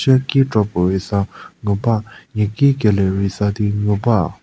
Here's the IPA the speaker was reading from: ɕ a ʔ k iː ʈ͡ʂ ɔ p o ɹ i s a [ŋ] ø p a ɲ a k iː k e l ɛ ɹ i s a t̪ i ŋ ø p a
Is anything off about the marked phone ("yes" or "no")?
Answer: no